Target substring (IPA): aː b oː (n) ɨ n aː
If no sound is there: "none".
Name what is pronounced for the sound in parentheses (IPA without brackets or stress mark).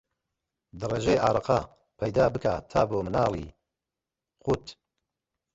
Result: m